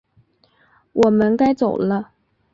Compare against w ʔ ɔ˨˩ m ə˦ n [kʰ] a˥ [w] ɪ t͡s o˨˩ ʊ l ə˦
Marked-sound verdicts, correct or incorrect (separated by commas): incorrect, incorrect